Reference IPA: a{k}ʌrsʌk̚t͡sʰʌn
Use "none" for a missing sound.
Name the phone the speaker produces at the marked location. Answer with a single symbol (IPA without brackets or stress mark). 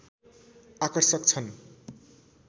k